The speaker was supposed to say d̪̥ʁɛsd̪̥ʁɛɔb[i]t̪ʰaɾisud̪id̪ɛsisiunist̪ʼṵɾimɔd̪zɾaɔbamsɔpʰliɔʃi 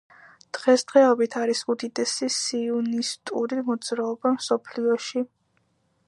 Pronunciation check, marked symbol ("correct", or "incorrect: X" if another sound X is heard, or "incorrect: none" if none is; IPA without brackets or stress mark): correct